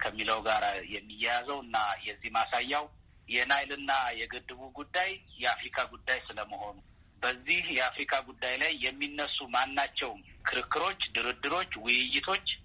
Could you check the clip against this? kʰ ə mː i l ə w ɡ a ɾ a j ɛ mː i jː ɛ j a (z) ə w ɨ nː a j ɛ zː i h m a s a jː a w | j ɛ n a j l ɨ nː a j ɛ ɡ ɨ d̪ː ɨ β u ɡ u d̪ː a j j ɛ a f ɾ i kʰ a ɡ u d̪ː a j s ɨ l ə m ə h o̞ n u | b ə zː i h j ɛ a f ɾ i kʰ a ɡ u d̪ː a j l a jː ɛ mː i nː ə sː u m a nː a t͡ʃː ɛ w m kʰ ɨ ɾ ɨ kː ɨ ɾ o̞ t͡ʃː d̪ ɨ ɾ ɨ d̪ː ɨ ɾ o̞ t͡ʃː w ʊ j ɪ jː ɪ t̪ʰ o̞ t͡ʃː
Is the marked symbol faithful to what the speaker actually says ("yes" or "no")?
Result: yes